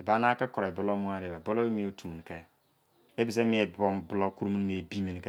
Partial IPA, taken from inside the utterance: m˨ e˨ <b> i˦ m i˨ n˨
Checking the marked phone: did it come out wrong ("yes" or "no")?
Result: no